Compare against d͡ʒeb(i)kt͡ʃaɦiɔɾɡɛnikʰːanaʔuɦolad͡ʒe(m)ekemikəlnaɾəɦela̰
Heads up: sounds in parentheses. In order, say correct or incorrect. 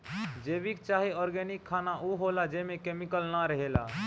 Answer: correct, correct

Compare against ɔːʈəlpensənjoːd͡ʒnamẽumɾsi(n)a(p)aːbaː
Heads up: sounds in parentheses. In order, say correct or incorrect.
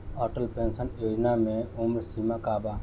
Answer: incorrect: m, incorrect: k

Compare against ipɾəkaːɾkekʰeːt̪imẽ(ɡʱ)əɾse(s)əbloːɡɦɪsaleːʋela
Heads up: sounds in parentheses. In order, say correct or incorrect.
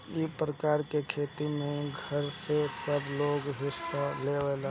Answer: correct, correct

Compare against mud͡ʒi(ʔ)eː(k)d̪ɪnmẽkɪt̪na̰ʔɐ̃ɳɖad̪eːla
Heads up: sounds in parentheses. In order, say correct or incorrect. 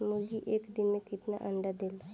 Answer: correct, correct

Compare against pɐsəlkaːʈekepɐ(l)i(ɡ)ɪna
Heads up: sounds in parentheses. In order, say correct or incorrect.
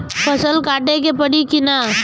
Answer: incorrect: ɽ, incorrect: k

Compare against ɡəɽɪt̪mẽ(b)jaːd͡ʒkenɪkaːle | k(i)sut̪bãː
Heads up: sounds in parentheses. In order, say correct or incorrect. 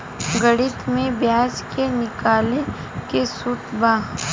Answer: correct, incorrect: e

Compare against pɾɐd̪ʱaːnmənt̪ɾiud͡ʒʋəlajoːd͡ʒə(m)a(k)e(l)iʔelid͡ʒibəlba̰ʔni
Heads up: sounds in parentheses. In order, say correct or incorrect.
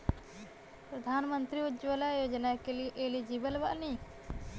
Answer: incorrect: n, correct, correct

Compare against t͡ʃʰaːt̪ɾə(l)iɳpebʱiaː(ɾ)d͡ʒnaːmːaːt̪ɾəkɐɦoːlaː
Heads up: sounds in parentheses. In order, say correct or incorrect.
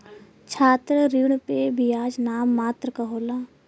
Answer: incorrect: ɾ, incorrect: none

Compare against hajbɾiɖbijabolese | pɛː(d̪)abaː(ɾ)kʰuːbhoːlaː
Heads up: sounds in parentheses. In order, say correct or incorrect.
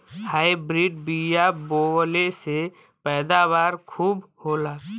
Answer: correct, correct

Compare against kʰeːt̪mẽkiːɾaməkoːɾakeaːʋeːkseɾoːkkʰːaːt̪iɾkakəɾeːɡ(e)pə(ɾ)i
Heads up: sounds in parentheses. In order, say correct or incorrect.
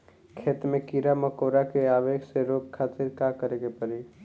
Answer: correct, correct

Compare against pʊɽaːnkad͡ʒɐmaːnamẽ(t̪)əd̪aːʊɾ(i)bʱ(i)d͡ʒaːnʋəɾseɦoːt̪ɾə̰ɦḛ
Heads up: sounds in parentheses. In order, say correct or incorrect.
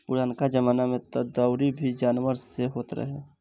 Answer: correct, correct, correct

